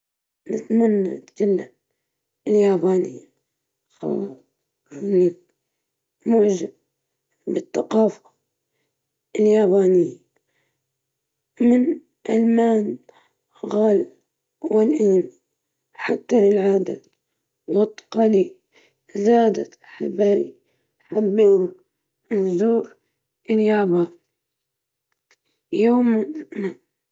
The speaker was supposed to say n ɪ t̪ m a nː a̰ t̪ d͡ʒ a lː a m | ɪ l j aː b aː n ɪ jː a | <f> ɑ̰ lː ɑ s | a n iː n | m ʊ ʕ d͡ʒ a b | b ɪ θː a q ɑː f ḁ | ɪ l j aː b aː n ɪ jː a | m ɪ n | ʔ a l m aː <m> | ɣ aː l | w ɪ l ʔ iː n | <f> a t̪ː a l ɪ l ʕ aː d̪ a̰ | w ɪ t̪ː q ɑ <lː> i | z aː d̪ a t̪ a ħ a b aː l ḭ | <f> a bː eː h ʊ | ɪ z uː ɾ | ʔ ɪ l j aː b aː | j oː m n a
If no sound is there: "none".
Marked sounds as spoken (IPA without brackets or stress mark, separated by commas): x, n, ħ, l, ħ